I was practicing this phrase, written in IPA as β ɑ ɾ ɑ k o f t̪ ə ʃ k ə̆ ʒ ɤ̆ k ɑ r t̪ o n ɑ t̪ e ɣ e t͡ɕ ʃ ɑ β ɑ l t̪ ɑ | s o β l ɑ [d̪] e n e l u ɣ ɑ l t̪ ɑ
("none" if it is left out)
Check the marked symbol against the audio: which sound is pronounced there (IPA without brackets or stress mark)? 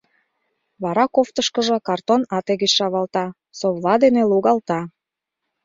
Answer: d̪